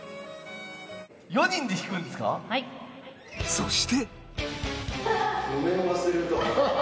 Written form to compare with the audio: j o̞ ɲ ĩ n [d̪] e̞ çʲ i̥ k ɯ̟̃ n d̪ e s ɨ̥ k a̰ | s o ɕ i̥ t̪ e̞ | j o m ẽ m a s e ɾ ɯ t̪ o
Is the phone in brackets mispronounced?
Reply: no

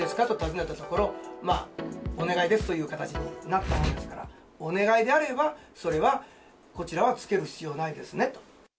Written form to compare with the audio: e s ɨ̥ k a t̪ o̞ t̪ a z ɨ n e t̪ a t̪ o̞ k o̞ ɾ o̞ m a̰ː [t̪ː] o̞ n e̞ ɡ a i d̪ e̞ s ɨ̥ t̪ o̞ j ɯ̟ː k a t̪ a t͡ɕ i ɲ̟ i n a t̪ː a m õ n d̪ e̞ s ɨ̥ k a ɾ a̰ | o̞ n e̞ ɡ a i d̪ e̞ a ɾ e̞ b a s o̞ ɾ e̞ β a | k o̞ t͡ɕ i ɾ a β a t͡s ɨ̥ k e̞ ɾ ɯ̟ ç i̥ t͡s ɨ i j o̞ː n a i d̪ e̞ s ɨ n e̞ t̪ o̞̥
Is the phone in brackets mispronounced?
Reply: yes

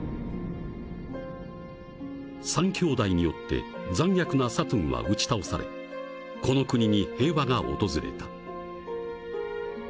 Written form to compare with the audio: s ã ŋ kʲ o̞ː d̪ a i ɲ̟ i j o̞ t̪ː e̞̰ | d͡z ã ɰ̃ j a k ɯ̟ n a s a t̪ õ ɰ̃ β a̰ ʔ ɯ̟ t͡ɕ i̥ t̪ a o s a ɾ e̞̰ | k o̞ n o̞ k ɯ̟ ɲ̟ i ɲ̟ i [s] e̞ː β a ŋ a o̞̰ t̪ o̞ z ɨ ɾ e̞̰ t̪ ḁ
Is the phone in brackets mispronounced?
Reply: yes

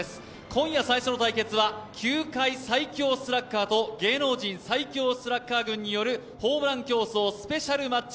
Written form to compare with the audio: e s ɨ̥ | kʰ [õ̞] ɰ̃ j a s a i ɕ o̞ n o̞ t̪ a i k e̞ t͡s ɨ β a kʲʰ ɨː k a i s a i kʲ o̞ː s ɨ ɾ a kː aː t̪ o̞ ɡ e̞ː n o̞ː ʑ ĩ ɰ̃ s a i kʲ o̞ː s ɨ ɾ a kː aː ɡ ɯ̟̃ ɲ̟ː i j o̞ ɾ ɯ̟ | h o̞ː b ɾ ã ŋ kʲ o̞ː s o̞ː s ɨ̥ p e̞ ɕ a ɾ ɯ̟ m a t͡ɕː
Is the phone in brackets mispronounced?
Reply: no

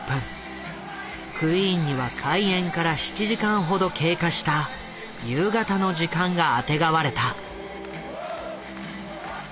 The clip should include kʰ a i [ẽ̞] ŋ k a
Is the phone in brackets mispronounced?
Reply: no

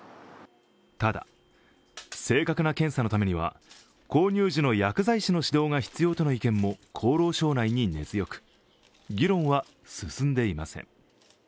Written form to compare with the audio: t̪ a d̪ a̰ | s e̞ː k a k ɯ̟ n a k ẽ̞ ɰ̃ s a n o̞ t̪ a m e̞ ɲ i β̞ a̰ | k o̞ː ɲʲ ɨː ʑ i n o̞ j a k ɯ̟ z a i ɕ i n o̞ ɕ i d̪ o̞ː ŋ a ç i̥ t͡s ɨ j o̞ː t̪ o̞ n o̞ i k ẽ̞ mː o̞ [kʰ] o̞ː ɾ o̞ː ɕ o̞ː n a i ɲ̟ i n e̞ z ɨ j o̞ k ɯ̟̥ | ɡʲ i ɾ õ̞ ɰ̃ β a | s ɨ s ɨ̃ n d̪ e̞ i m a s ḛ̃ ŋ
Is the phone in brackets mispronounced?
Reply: no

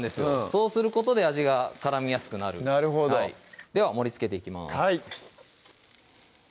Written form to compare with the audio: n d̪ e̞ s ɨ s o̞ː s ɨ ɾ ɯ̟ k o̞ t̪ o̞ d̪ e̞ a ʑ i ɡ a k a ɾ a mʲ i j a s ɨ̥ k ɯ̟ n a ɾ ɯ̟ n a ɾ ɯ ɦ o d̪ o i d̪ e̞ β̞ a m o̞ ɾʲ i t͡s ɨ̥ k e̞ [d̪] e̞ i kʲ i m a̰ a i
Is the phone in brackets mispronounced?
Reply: yes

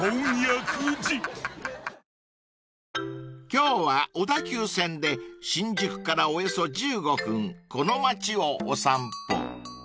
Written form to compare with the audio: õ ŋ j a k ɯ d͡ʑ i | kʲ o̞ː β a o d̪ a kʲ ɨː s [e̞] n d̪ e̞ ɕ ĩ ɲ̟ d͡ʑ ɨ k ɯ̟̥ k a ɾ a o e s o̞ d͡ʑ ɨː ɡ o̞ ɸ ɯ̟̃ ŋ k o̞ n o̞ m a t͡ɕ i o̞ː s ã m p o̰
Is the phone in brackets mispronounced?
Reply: yes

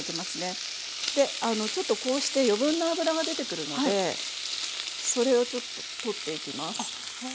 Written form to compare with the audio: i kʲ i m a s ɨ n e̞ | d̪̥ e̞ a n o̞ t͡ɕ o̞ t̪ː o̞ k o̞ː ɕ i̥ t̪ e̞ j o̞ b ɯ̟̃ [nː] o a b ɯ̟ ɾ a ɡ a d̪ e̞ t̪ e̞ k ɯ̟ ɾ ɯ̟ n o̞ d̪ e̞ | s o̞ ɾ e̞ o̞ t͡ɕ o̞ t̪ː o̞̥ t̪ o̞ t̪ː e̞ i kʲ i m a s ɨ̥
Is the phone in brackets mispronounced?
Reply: no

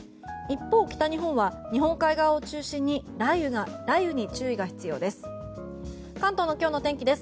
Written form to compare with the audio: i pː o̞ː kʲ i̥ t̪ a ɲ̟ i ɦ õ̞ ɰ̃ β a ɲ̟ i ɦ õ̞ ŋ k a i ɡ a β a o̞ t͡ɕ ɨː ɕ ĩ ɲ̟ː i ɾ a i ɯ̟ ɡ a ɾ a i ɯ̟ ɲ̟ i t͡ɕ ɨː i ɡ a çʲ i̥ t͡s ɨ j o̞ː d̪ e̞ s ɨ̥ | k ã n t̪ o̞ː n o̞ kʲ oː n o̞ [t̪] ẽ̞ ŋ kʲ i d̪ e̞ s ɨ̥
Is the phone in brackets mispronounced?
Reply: no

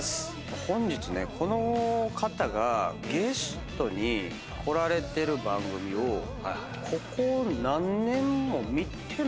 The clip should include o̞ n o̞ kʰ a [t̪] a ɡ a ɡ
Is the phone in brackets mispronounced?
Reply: no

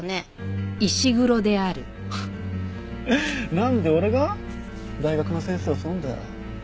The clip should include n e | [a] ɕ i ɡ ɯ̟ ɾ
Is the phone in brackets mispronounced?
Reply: yes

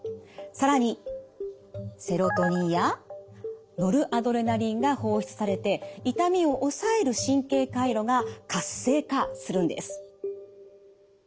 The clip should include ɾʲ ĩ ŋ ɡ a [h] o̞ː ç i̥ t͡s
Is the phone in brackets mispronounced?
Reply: no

